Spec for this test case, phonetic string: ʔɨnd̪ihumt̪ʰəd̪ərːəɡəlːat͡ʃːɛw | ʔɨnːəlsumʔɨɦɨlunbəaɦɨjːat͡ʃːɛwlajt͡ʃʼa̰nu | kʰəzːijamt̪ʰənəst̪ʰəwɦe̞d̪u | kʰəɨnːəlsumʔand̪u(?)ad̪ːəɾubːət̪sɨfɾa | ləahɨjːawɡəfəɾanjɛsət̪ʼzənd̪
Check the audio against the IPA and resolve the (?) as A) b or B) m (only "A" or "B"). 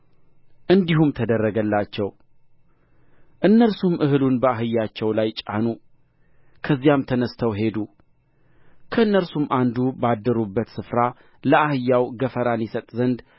A